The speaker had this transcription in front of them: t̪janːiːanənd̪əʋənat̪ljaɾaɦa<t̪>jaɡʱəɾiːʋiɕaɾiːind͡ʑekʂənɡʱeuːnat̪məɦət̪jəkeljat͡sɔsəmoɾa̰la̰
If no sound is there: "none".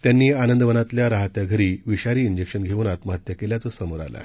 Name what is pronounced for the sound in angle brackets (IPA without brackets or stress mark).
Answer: t̪